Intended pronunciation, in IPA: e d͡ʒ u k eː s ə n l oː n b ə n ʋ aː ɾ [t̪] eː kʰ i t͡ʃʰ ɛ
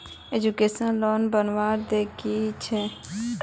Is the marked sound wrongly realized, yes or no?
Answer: yes